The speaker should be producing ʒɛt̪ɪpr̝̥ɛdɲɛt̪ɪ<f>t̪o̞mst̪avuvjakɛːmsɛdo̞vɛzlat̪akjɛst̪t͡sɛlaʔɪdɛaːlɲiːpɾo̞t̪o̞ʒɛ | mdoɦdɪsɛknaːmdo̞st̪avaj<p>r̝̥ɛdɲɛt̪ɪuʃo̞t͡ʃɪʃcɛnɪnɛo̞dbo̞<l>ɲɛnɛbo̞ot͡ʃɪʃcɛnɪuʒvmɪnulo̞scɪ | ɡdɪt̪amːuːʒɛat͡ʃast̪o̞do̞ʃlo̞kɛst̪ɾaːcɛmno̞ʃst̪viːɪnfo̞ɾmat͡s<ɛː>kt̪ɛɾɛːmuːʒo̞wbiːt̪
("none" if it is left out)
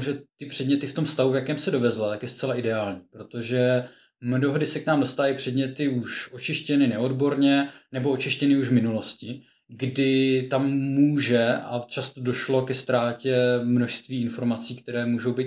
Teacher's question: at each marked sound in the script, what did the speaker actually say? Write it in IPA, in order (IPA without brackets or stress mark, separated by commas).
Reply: f, p, ɾ, iː